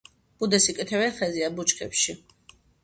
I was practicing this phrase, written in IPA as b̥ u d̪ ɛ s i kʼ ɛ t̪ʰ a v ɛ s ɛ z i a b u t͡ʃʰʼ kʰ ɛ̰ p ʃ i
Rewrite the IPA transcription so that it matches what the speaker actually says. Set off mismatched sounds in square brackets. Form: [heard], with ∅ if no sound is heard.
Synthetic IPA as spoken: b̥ u d̪ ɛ s i kʼ ɛ t̪ʰ [ɛ] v ɛ [χ] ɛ z i a b u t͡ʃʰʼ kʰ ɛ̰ p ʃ i